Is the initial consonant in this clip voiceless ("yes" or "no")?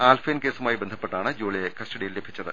no